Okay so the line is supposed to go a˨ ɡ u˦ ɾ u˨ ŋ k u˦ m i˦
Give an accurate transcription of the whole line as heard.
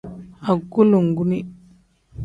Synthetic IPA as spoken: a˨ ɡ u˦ l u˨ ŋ ɡ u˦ n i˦